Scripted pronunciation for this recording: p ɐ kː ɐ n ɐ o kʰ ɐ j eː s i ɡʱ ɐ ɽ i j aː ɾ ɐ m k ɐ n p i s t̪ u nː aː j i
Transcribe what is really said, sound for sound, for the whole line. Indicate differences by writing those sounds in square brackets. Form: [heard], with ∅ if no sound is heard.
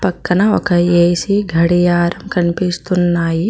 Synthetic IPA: p ɐ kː ɐ n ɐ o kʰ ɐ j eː s i ɡʱ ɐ ɽ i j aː ɾ ɐ m k ɐ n p i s t̪ u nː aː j i